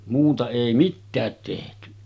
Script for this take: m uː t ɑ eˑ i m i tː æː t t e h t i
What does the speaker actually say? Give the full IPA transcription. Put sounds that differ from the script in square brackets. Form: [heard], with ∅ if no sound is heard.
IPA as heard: m uː t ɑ eˑ i m i tː æː t t e h t [y]